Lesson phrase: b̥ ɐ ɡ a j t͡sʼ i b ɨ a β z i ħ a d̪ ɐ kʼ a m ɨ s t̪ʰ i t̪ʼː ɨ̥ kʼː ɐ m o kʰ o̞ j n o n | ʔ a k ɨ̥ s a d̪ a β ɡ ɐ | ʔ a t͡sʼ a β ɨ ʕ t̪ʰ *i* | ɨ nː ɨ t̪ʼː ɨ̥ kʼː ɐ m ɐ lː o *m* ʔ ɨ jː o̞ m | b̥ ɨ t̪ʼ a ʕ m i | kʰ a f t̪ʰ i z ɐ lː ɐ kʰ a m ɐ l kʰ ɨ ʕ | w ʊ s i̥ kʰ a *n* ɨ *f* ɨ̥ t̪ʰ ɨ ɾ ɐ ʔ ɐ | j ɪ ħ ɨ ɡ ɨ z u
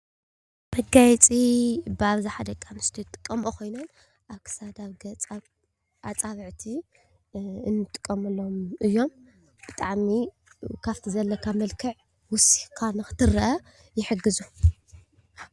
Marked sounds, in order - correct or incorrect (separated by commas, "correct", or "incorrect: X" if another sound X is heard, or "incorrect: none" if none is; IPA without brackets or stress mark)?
correct, correct, correct, incorrect: x